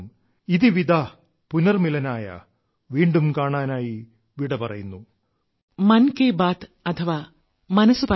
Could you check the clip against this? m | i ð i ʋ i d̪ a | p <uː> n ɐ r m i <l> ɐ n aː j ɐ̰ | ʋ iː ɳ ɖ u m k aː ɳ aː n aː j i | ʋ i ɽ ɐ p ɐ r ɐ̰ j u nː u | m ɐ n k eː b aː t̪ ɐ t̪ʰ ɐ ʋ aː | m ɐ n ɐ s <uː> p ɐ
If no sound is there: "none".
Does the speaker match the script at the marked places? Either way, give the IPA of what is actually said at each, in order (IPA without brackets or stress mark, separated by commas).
u, l, u